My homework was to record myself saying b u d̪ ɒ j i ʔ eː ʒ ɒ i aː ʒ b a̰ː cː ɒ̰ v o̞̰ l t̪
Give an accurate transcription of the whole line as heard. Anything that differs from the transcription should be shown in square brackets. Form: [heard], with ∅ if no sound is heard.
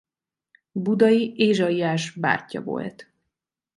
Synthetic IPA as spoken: b u d̪ ɒ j i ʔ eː ʒ ɒ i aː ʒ b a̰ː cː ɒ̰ v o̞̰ l t̪